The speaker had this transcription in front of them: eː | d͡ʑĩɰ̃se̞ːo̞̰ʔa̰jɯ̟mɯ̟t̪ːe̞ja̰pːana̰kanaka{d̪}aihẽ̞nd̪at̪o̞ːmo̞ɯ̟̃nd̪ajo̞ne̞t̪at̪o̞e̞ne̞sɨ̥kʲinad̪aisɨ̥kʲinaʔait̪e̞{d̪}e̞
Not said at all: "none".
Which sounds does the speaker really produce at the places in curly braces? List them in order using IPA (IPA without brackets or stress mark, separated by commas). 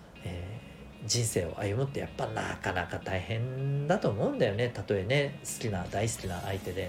t̪, d̪